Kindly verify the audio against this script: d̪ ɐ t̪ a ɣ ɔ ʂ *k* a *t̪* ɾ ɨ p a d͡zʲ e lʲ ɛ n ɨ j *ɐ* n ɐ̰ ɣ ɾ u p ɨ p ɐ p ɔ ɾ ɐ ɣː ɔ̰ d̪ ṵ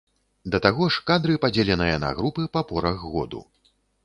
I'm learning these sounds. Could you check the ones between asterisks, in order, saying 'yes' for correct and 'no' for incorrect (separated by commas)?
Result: yes, no, yes